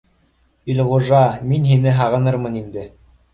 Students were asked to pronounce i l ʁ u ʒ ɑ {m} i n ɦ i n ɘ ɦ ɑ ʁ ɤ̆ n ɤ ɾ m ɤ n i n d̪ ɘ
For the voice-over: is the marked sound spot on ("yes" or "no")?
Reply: yes